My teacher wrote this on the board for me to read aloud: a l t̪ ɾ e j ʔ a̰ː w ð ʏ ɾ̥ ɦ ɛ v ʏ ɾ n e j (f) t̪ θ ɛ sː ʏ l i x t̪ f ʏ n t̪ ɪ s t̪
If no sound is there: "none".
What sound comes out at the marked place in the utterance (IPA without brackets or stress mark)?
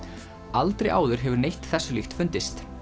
h